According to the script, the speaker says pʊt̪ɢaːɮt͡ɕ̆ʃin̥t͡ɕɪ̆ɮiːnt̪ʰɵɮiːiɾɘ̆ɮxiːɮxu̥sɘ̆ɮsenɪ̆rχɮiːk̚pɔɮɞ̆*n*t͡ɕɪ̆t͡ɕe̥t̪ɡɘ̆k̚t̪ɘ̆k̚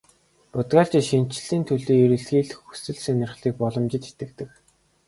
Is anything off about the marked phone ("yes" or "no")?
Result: yes